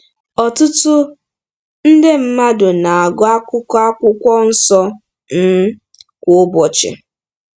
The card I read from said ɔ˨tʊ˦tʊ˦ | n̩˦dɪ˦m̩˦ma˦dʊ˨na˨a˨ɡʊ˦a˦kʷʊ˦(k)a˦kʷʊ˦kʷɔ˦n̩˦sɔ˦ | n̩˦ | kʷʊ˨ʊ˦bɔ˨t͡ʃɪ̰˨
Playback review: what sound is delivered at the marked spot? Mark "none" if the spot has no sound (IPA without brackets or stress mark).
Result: k